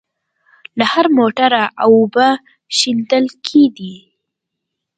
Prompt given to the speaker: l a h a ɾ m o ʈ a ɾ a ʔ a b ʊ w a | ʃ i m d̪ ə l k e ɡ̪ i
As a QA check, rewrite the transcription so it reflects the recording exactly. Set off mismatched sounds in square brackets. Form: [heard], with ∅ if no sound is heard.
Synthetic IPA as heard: l a h a ɾ m o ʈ a ɾ a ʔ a [w] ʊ [b] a | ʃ i [n] d̪ ə l [kʰ] e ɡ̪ i